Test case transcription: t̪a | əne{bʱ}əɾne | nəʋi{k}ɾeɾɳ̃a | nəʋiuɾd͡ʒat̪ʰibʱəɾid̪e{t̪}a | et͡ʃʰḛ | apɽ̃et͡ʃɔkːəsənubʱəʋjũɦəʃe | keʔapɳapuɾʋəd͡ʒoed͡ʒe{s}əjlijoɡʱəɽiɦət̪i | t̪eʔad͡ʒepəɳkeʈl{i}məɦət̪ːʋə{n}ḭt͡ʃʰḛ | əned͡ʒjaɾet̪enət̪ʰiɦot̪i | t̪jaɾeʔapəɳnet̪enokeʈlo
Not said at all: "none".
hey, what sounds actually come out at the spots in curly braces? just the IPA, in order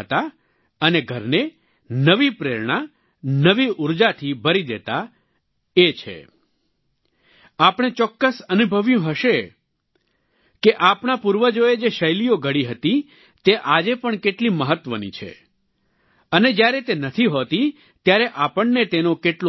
ɡʱ, p, t̪, ʃ, i, n

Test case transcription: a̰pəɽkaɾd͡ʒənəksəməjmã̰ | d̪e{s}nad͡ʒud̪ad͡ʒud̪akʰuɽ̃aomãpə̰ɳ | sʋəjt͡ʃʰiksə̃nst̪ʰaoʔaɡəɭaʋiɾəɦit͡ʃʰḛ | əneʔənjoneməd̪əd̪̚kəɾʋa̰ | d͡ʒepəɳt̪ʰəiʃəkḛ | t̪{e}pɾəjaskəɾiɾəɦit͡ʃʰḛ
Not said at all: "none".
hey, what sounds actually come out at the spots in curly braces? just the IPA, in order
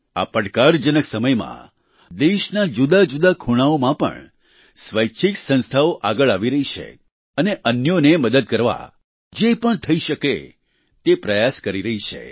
ʃ, e

